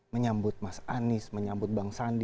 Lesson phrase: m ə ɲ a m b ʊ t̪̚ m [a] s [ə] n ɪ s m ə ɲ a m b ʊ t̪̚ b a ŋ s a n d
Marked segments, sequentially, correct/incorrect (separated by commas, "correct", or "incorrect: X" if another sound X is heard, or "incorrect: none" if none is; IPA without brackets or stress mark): correct, incorrect: a